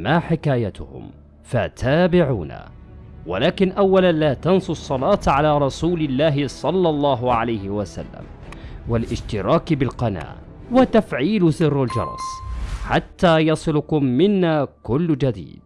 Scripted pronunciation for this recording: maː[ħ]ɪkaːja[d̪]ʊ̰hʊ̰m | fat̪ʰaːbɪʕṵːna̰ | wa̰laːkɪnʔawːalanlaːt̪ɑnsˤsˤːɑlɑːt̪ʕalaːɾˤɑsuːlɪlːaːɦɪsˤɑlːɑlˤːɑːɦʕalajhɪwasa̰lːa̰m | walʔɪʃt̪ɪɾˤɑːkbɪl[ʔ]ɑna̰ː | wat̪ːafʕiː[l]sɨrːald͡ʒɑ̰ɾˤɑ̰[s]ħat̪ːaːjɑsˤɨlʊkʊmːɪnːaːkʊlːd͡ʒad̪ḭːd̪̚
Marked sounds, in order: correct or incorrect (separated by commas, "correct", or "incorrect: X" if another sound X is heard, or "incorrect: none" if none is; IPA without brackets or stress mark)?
correct, incorrect: t̪, incorrect: q, correct, correct